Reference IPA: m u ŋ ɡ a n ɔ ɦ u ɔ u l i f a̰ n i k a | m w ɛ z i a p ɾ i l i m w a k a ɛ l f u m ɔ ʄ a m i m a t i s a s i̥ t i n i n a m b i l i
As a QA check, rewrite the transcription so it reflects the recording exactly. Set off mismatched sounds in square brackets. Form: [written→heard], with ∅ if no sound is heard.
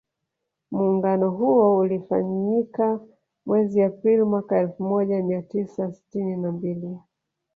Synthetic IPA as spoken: m [u→uː] ŋ ɡ a n ɔ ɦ u ɔ u l i f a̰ [n→ɲ] i k a | m w ɛ z i a p ɾ i l i m w a k a ɛ l f u m ɔ ʄ a m i [m→∅] a t i s a s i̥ t i n i n a m b i l i

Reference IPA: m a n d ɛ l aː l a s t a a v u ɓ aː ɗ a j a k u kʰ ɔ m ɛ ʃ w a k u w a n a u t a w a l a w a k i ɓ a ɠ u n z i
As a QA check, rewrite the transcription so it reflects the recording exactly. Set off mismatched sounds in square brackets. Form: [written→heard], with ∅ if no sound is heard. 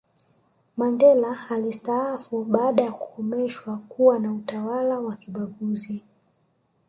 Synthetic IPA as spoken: m a n d ɛ l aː l [a→i] s t a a [v→f] u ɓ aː ɗ a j a k u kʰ ɔ m ɛ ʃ w a k u w a n a u t a w a l a w a k i ɓ a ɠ u [n→∅] z i

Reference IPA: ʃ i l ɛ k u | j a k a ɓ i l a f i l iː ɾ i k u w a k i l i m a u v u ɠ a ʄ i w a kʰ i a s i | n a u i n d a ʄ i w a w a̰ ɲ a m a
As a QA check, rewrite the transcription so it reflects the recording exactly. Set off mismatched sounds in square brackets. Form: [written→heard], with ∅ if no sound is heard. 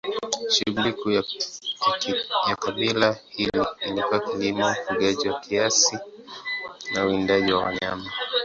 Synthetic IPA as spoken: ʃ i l [ɛ→i] k u | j a k a ɓ i l a [f→h] i l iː [ɾ→l] i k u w a k i l i m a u [v→f] u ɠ a ʄ i w a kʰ i a s i | n a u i n d a ʄ i w a w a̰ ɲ a m a

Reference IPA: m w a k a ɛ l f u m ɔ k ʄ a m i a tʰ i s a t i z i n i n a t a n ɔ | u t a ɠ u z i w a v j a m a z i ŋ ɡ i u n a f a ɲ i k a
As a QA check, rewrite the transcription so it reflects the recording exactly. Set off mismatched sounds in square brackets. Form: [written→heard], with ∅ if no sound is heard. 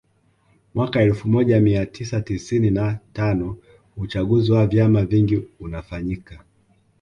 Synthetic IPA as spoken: m w a k a ɛ l f u m ɔ [k→∅] ʄ a m i a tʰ i s a t i [z→s] i n i n a t a n ɔ | u [t→t͡ʃ] a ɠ u z i w a v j a m a [z→v] i ŋ ɡ i u n a f a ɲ i k a

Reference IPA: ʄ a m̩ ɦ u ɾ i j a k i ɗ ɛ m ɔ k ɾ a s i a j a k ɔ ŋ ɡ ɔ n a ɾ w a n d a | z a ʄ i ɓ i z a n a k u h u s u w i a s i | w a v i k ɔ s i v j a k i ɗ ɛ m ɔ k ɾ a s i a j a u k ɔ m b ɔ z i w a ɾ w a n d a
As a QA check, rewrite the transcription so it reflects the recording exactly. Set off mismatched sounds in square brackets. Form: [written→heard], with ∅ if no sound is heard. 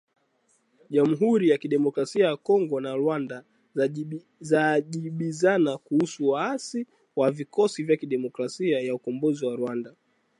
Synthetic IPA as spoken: ʄ a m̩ ɦ u ɾ i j a k i ɗ ɛ m ɔ k ɾ a s i a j a k ɔ ŋ ɡ ɔ n a ɾ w a n d a | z a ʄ i ɓ i z a n a k u h u s u w [i→a] a s i | w a v i k ɔ s i v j a k i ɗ ɛ m ɔ k ɾ a s i a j a u k ɔ m b ɔ z i w a ɾ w a n d a

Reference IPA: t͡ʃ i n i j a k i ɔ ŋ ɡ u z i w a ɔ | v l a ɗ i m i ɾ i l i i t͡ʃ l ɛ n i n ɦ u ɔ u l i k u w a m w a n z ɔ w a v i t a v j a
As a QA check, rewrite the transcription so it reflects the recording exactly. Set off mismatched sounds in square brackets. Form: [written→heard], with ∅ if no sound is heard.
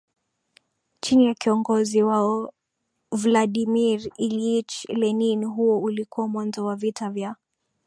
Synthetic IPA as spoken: t͡ʃ i n i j a k i ɔ ŋ ɡ [u→ɔ] z i w a ɔ | v l a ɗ i m i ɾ i l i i t͡ʃ l ɛ n i n ɦ u ɔ u l i k u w a m w a n z ɔ w a v i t a v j a

